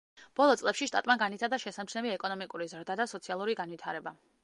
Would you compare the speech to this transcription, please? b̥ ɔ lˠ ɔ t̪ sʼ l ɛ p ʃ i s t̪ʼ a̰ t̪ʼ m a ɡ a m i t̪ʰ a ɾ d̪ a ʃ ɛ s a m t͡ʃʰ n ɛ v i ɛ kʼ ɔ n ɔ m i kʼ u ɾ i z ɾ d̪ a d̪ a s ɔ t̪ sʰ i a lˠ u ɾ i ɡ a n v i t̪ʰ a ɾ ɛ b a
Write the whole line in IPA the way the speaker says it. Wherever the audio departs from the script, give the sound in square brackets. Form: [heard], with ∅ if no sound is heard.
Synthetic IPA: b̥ ɔ lˠ ɔ t̪ sʼ l ɛ p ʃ i [ʃ] t̪ʼ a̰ t̪ʼ m a ɡ a [n] i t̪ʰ a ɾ d̪ a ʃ ɛ s a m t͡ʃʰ n ɛ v i ɛ kʼ ɔ n ɔ m i kʼ u ɾ i z ɾ d̪ a d̪ a s ɔ t̪ sʰ i a lˠ u ɾ i ɡ a n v i t̪ʰ a ɾ ɛ b a